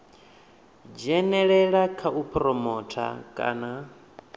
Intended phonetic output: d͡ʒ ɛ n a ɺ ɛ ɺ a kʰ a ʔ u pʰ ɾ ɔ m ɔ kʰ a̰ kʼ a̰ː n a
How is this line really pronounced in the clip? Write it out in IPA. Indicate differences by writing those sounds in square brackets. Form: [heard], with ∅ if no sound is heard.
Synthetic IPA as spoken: d͡ʒ ɛ n [ɛ] ɺ ɛ ɺ a kʰ a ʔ u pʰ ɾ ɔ m ɔ [tʰ] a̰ kʼ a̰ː n a